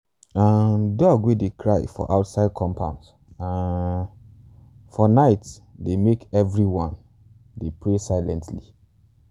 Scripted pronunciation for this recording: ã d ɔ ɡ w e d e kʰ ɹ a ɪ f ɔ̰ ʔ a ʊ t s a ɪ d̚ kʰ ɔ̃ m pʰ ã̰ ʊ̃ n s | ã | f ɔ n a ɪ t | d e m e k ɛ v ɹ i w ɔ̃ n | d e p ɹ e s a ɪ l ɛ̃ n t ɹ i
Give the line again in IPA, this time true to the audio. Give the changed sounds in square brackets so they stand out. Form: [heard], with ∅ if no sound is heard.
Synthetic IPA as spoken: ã d ɔ ɡ w e d e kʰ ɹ a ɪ f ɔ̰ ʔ a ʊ t s a ɪ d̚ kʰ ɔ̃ m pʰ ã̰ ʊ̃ n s | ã | f ɔ n a ɪ t | d e m e k ɛ v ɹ i w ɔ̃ n | d e p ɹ e s a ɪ l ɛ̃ n t [l] i